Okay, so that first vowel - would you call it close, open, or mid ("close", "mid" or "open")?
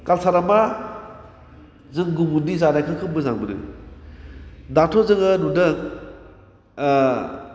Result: open